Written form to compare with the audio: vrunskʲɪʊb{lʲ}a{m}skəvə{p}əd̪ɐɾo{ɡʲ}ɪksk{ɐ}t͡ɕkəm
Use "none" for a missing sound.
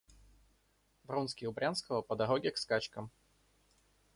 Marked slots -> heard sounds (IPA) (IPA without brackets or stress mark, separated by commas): ɾʲ, n, p, ɡʲ, a